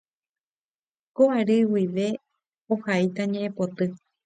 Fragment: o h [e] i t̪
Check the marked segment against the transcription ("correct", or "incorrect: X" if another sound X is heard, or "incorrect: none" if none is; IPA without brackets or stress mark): incorrect: a